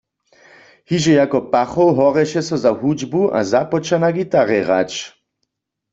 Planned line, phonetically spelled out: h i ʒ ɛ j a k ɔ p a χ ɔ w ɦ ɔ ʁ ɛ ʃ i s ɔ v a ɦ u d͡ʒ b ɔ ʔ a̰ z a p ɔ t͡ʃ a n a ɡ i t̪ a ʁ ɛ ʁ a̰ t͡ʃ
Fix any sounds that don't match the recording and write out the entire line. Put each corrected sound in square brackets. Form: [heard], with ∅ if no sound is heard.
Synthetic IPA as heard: h i ʒ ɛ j a k ɔ p a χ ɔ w ɦ ɔ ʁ ɛ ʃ [ɛ] s ɔ [z] a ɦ u d͡ʒ b [u] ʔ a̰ z a p ɔ t͡ʃ a n a ɡ i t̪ a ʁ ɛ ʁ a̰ t͡ʃ